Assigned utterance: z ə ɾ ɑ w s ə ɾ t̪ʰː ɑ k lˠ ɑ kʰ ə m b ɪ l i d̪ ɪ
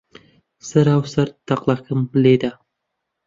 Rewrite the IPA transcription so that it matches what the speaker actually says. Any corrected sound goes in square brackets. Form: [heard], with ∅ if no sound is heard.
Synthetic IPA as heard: [s] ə ɾ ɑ w s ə ɾ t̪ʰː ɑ [q] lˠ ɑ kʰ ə m b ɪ l [e] d̪ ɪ